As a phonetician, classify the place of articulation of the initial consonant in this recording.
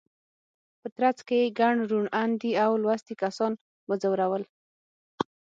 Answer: labial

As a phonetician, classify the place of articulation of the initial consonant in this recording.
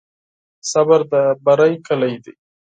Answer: alveolar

